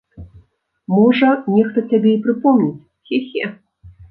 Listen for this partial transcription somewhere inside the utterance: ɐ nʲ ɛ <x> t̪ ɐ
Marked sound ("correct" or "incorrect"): correct